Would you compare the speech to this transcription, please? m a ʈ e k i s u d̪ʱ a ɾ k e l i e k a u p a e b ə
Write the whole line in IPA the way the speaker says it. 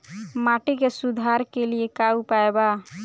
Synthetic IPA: m a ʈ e k e s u d̪ʱ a ɾ k e l i e k a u p a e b a